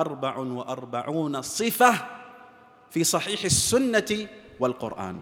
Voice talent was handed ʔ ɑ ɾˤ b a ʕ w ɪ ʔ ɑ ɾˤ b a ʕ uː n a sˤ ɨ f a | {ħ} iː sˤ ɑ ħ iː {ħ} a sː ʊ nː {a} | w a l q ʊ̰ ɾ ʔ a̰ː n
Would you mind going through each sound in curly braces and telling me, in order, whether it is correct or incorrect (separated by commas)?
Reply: incorrect, correct, correct